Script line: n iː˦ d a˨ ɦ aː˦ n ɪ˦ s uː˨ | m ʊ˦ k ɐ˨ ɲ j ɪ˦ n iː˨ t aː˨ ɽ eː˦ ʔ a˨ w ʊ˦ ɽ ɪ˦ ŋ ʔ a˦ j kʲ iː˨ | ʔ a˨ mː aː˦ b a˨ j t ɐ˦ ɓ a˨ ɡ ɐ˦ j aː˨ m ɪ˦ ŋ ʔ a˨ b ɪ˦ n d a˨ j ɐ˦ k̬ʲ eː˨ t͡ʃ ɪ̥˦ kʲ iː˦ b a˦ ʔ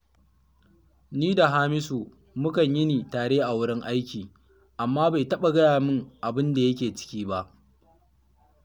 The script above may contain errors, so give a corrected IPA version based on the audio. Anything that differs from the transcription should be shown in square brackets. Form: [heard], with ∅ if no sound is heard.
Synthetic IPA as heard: n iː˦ d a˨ ɦ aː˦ [m] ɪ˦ s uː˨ | m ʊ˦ k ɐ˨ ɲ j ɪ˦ n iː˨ t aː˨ ɽ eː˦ ʔ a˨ w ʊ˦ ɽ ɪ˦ ŋ ʔ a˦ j kʲ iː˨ | ʔ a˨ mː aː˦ b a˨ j t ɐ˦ ɓ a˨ ɡ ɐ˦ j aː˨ m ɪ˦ ŋ ʔ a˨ b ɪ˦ n d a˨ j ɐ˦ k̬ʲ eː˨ t͡ʃ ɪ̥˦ kʲ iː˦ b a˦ ʔ

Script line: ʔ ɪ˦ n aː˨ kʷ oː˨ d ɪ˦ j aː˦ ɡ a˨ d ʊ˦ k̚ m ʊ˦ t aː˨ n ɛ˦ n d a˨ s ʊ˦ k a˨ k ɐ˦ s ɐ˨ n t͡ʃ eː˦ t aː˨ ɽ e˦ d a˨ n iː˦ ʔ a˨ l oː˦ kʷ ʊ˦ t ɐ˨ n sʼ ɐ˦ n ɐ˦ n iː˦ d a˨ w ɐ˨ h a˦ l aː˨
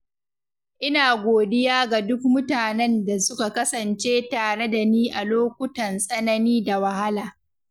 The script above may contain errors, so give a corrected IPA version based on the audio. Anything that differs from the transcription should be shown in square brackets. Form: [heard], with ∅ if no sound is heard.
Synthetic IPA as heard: ʔ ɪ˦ n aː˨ [ɡʷ] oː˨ d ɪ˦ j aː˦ ɡ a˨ d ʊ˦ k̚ m ʊ˦ t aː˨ n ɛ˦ n d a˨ s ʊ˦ k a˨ k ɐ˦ s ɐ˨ n t͡ʃ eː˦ t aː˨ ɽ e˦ d a˨ n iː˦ ʔ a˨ l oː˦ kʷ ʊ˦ t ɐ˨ n sʼ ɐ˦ n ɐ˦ n iː˦ d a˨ w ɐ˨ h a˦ l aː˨

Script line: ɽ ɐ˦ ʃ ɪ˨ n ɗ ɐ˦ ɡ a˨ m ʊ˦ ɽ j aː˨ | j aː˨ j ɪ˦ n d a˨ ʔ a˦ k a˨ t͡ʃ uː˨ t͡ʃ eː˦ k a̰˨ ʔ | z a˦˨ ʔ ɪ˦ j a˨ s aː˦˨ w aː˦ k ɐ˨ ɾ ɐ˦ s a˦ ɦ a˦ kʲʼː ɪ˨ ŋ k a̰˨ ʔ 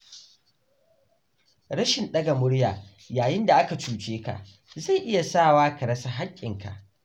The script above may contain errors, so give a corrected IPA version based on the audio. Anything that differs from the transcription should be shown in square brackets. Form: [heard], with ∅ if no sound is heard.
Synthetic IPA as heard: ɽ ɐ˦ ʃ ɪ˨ n ɗ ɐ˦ ɡ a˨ m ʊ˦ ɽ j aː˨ | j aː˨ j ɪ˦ n d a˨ ʔ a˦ k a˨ t͡ʃ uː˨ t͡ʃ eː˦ k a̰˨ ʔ | z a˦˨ ʔ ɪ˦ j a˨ s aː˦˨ w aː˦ k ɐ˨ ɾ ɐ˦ s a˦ ɦ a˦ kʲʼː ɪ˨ ŋ k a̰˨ ʔ

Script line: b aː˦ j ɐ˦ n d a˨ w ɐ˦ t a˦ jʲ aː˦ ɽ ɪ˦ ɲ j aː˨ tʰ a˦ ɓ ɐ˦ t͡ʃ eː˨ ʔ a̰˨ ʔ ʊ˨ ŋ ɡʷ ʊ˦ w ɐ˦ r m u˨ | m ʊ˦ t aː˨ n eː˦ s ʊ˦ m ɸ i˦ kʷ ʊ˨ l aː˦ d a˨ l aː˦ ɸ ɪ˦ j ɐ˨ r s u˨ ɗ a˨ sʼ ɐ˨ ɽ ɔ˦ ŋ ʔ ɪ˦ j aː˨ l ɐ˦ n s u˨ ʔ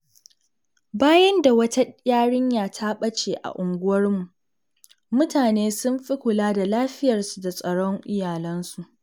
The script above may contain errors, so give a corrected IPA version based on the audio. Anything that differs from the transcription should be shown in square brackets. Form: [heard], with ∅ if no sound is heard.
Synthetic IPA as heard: b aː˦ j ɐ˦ n d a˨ w ɐ˦ t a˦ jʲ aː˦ ɽ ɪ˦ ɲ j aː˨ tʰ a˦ ɓ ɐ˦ t͡ʃ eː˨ ʔ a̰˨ ʔ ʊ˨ ŋ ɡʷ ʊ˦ w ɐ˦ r m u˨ | m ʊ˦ t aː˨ n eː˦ s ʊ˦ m ɸ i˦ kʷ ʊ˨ l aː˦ d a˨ l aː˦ ɸ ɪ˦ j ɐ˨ r s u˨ [d] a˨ sʼ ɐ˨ ɽ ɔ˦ ŋ ʔ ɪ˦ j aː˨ l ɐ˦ n s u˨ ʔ

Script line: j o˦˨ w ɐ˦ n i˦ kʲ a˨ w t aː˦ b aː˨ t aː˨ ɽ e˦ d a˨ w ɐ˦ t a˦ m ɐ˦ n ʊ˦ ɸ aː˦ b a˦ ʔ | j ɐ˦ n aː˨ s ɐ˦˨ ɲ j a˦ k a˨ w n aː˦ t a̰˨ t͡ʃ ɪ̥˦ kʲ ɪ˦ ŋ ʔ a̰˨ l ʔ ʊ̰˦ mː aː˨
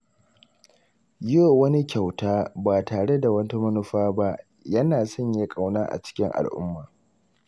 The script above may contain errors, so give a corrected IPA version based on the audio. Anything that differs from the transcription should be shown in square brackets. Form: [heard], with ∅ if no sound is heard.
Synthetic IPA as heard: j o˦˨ w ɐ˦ n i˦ kʲ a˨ w t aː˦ b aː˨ t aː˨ ɽ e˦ d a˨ w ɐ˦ t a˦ m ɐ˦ n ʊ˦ ɸ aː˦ b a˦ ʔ | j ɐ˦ n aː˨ s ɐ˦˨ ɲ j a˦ [kʼ] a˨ w n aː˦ [ʔ] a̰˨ t͡ʃ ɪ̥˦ kʲ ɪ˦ ŋ ʔ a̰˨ l ʔ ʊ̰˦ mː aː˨

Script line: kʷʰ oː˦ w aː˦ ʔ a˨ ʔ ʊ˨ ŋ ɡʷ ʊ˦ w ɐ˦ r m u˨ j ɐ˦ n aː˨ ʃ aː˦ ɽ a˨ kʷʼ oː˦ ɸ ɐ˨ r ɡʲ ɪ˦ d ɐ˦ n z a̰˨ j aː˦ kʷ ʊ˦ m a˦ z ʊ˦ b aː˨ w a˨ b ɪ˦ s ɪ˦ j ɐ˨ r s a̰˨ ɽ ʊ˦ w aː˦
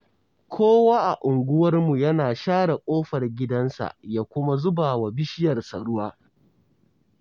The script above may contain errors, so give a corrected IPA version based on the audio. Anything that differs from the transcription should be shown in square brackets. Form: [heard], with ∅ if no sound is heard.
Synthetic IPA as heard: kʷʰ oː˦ w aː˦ ʔ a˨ ʔ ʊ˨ ŋ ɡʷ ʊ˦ w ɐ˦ r m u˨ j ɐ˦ n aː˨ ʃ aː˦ ɽ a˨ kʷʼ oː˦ ɸ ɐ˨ r ɡʲ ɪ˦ d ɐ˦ n [s] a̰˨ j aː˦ kʷ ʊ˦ m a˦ z ʊ˦ b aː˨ w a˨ b ɪ˦ [ʃ] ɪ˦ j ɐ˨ r s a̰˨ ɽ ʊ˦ w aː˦

